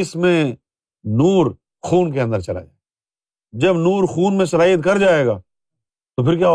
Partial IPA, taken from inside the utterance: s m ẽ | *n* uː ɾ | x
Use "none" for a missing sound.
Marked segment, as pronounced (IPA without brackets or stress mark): n